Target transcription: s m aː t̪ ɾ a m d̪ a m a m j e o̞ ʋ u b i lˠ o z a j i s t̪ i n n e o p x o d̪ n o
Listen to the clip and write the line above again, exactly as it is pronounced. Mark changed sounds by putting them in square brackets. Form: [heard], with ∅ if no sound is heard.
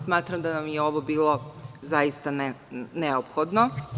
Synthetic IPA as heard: s m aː t̪ ɾ a m d̪ a [n] a m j e o̞ ʋ [o] b [iː] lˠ o z a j i s t̪ [a] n n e o p x o d̪ n o